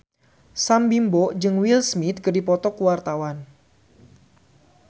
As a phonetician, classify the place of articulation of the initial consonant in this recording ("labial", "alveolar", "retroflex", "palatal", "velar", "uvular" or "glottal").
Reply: alveolar